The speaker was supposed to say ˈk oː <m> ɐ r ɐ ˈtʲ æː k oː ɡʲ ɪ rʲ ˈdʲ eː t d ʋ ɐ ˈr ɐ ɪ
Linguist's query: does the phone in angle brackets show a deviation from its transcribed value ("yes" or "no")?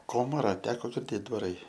no